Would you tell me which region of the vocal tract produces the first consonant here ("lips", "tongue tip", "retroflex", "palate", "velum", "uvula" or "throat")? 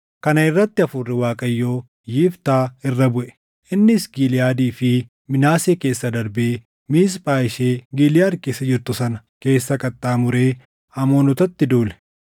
velum